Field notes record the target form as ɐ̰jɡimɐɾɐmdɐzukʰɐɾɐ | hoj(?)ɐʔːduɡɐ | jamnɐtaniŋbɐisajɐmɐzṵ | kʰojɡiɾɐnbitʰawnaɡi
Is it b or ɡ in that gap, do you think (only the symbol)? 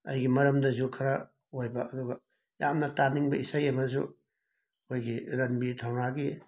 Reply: b